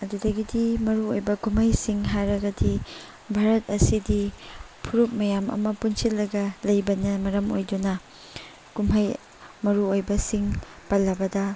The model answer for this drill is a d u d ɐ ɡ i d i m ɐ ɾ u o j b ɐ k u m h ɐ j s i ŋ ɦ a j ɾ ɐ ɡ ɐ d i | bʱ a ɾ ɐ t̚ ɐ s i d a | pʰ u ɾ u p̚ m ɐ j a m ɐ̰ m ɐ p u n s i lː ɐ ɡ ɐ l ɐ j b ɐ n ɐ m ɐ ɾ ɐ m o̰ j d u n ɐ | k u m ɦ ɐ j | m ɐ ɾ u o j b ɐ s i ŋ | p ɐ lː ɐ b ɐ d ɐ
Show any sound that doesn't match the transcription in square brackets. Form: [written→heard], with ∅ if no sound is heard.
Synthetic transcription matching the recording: [a→ɐ] d u d ɐ ɡ i d i m ɐ ɾ u o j b ɐ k u m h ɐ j s i ŋ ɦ a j ɾ ɐ ɡ ɐ d i | bʱ a ɾ ɐ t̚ ɐ s i d [a→i] | pʰ u ɾ u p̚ m ɐ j a m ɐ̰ m ɐ p u n s i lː ɐ ɡ ɐ l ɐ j b ɐ n ɐ m ɐ ɾ ɐ m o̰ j d u n ɐ | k u m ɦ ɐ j | m ɐ ɾ u o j b ɐ s i ŋ | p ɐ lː ɐ b ɐ d ɐ